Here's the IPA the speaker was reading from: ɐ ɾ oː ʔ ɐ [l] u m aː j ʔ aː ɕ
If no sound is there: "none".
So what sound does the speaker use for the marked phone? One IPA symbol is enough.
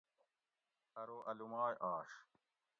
l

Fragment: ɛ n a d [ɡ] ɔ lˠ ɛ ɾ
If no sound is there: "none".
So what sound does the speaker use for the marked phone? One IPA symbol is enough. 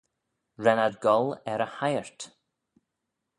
ɡ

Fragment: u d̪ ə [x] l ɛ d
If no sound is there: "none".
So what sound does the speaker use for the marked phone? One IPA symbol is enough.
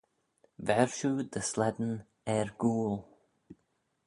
s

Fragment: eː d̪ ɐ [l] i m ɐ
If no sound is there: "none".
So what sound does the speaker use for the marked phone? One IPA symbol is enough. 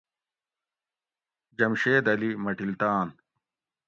l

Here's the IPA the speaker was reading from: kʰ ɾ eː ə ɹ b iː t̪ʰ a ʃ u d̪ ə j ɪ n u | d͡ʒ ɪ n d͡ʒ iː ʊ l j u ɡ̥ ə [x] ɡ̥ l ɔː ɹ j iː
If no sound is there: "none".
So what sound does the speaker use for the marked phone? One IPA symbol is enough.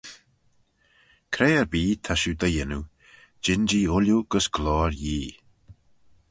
s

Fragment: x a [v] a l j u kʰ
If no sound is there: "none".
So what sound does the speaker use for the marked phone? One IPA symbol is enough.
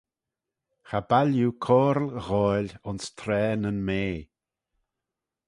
b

